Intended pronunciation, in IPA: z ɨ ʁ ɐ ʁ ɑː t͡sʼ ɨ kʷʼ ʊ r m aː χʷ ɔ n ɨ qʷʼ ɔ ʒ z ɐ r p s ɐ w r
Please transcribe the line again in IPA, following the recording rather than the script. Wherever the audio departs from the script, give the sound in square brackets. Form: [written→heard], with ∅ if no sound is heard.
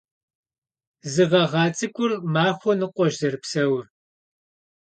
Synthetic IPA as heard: z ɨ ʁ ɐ ʁ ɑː t͡sʼ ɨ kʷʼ ʊ r m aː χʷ ɔ n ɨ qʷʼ ɔ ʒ z ɐ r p s ɐ w r